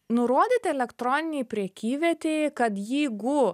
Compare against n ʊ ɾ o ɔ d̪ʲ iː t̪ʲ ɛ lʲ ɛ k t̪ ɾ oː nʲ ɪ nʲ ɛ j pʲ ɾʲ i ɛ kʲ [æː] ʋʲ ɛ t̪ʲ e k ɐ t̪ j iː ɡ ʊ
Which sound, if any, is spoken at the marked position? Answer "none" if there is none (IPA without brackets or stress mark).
iː